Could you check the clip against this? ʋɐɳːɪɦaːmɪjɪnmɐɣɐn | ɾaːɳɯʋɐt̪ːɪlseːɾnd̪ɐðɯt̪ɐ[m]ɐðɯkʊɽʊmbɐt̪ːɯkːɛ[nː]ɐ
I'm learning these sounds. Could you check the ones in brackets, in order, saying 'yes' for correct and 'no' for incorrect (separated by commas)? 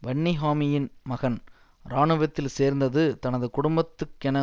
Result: no, no